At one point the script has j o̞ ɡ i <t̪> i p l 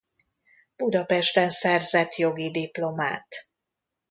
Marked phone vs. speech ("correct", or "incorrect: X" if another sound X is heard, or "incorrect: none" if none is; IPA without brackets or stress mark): incorrect: d̪